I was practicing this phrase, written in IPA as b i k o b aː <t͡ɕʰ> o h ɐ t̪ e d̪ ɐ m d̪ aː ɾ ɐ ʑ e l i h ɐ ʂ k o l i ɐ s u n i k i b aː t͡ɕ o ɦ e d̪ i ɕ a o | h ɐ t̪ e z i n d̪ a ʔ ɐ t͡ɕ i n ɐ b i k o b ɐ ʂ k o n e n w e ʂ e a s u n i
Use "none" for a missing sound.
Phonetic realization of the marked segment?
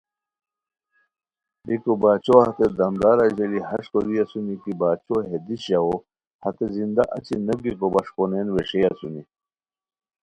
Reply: t͡ɕ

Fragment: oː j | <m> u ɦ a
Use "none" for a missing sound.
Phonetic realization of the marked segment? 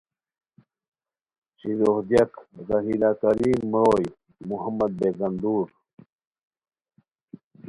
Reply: m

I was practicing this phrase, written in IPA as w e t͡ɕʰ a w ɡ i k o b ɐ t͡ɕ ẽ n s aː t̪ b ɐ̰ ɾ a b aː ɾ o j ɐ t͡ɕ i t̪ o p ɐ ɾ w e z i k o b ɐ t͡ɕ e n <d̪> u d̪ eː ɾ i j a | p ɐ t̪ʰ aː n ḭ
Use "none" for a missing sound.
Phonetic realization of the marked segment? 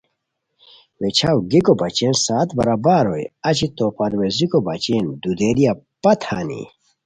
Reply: d̪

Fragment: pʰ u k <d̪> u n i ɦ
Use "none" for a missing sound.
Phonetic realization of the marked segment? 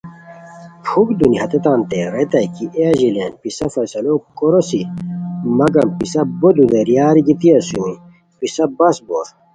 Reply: d̪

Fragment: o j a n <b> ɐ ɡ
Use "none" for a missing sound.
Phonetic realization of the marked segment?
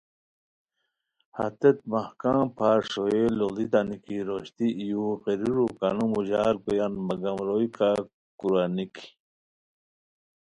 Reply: m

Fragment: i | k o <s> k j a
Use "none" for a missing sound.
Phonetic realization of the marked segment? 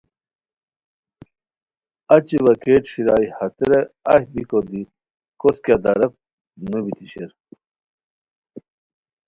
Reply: s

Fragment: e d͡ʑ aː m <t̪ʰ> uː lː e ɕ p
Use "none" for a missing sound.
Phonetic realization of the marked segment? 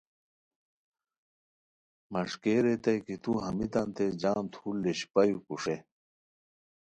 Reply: t̪ʰ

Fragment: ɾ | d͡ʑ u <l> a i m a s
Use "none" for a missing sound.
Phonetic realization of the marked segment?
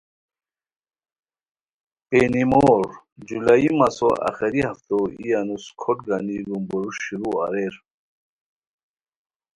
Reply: l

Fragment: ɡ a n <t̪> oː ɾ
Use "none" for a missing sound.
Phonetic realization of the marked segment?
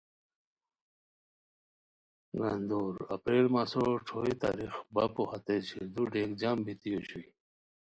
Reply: d̪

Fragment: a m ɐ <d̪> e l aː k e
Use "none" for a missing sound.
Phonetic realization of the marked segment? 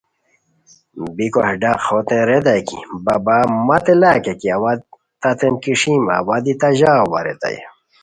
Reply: t̪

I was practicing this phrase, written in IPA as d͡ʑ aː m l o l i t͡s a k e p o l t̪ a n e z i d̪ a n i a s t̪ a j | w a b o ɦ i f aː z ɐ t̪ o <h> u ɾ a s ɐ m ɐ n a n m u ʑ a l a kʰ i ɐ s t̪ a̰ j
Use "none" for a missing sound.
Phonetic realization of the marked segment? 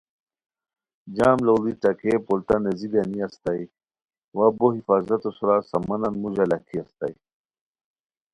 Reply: s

